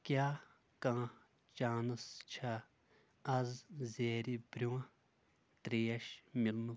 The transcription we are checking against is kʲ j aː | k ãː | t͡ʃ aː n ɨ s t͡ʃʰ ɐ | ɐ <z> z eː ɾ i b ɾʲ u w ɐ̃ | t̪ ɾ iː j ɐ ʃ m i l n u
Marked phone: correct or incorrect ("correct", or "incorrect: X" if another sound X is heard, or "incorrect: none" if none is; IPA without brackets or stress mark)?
correct